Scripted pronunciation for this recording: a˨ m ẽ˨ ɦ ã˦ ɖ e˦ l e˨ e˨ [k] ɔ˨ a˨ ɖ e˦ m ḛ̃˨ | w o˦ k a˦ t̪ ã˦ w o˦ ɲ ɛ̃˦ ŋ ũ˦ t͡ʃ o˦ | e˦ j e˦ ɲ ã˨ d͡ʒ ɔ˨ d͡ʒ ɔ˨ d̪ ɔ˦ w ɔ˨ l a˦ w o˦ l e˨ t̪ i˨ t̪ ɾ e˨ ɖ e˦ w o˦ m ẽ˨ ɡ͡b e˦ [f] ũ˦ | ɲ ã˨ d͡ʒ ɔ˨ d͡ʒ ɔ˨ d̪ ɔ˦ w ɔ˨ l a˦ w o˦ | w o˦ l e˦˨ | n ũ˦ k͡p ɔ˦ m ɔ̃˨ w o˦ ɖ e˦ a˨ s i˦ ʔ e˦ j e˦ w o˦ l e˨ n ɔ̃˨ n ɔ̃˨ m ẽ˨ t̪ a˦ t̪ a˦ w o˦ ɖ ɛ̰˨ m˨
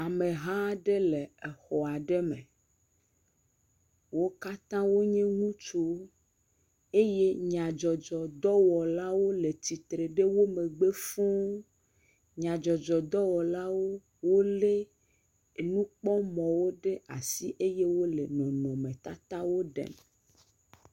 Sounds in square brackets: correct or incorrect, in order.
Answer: incorrect: x, correct

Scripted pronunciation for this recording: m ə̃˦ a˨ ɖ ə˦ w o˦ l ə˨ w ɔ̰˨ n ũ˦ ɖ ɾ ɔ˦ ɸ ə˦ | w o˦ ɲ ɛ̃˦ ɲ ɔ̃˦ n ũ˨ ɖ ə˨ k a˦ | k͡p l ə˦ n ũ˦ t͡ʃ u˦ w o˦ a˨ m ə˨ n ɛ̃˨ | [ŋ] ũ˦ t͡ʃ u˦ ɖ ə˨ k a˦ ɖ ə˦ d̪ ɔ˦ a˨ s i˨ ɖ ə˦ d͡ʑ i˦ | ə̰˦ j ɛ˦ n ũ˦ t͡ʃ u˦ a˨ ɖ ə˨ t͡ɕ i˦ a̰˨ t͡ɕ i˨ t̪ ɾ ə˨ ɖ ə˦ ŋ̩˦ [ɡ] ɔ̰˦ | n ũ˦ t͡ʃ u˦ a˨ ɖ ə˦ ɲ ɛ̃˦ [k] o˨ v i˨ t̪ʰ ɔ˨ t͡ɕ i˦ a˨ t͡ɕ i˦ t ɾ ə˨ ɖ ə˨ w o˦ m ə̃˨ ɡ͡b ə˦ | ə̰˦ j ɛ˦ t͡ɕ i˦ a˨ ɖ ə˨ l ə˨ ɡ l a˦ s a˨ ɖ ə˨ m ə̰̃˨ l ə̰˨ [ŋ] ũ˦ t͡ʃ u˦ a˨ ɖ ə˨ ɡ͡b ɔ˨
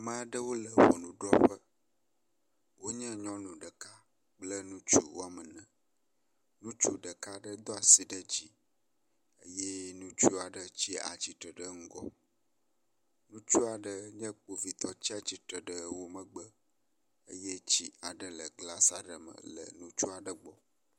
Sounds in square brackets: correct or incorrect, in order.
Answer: incorrect: n, correct, incorrect: k͡p, incorrect: n

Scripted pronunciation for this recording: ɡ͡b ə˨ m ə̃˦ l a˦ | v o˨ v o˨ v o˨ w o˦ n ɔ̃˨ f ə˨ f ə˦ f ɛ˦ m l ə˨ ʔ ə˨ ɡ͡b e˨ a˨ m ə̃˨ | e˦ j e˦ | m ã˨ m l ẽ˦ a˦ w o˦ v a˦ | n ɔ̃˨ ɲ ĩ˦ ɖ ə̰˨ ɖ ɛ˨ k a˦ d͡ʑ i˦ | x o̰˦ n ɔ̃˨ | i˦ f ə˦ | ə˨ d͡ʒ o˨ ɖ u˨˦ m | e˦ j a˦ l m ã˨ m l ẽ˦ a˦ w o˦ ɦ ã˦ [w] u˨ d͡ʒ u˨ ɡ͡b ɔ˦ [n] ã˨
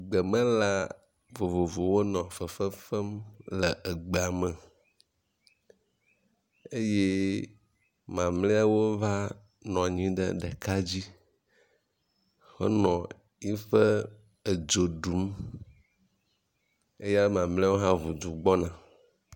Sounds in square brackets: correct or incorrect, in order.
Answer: incorrect: v, correct

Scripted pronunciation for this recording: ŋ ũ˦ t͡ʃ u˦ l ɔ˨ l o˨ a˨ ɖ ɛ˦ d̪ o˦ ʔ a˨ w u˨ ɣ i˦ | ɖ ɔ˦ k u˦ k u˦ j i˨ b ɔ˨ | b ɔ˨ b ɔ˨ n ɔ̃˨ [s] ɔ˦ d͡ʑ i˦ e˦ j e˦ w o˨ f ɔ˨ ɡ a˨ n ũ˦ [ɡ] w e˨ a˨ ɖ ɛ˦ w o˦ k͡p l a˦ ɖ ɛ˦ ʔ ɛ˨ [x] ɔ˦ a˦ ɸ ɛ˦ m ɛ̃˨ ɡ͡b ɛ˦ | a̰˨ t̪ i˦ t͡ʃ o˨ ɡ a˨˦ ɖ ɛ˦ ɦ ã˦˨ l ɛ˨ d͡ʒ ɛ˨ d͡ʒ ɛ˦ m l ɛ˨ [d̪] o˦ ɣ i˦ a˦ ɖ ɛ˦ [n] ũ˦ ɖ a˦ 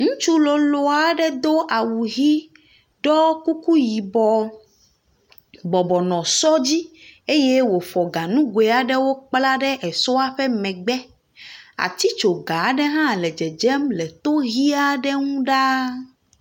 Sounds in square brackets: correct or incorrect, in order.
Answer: correct, correct, incorrect: s, incorrect: t̪, incorrect: ŋ

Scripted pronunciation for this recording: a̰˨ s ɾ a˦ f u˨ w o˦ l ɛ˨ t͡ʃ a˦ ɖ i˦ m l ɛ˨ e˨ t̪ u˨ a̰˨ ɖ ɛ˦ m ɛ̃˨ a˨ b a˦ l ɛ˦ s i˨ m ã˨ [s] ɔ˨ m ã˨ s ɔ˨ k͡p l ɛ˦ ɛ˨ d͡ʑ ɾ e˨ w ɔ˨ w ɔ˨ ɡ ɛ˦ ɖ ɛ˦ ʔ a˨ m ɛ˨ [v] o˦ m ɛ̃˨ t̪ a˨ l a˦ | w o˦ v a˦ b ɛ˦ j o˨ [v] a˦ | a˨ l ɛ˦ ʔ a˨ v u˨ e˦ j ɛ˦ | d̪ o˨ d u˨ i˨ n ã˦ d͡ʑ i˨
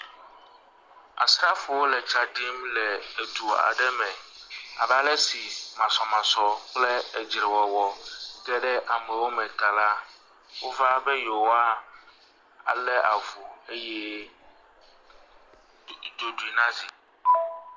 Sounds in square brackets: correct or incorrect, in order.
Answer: correct, incorrect: w, incorrect: w

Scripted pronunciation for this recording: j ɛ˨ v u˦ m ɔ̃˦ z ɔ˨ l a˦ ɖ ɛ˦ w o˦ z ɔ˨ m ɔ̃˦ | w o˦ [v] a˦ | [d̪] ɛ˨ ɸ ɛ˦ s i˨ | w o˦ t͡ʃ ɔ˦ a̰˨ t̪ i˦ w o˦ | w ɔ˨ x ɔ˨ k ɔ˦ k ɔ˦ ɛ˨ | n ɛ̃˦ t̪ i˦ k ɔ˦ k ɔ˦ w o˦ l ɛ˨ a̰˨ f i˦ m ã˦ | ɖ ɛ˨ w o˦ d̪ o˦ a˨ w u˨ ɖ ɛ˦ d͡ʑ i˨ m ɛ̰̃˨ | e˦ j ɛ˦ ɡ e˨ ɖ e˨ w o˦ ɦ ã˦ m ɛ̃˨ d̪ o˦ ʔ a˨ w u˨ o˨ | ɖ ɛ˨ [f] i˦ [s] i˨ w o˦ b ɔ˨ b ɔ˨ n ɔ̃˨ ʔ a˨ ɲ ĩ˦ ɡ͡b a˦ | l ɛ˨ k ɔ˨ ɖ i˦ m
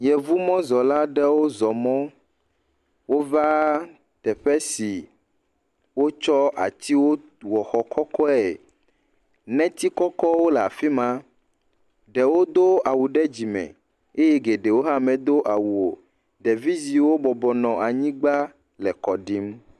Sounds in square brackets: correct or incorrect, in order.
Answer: correct, incorrect: t̪, incorrect: v, incorrect: z

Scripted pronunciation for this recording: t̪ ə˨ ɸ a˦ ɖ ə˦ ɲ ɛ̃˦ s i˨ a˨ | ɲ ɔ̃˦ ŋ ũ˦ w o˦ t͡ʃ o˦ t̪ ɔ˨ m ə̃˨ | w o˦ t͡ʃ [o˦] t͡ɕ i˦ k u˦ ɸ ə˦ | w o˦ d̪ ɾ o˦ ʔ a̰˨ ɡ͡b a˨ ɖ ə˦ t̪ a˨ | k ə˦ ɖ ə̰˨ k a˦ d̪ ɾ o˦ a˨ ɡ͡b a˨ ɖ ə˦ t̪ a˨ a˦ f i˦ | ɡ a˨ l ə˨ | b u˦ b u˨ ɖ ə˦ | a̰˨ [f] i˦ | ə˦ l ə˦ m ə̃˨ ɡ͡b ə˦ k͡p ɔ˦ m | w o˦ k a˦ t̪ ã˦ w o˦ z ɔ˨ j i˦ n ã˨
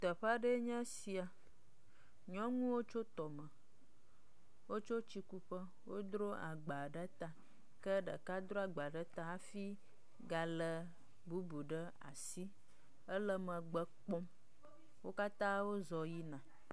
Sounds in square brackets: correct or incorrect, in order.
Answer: correct, incorrect: s

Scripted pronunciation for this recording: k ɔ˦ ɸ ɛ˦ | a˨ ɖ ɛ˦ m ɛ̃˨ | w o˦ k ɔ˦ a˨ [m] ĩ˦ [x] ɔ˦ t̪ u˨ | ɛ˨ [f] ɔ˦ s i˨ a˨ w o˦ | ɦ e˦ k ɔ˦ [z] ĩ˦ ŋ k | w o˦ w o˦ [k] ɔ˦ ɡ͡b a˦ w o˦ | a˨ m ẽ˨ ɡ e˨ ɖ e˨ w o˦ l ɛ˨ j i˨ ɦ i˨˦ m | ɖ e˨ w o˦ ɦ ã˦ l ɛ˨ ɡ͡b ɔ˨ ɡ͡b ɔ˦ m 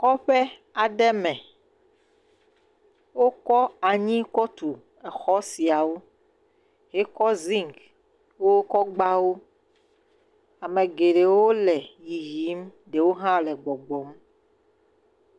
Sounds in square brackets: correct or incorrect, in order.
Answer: incorrect: ɲ, incorrect: k, incorrect: x, correct, correct

